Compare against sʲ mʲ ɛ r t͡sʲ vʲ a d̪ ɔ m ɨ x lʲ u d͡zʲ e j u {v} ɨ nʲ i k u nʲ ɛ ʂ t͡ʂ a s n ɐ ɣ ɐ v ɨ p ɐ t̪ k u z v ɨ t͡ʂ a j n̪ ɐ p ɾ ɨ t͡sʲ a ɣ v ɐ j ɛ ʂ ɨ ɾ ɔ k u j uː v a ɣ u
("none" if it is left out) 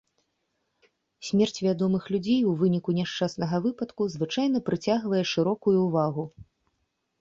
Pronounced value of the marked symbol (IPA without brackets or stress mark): v